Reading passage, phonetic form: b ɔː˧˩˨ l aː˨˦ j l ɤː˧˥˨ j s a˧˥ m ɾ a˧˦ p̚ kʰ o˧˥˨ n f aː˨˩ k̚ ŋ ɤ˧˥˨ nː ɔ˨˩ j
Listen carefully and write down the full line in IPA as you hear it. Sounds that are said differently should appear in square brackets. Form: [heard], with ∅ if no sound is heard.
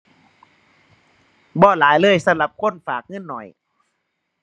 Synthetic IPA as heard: b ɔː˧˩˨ l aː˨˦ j l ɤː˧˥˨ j s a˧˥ m [l] a˧˦ p̚ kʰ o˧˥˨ n f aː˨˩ k̚ ŋ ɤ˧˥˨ nː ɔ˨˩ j